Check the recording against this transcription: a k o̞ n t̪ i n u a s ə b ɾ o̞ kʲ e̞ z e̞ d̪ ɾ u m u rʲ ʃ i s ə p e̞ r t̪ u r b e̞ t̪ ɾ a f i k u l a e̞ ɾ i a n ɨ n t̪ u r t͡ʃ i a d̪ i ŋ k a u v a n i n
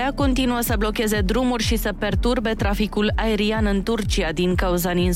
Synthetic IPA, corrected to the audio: a k o̞ n t̪ i n u ə s ə b l o̞ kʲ e̞ z e̞ d̪ ɾ u m u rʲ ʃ i s ə p e̞ r t̪ u r b e̞ t̪ ɾ a f i k u l a e̞ ɾ i a n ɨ n t̪ u r t͡ʃ i a d̪ i ŋ k a u z a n i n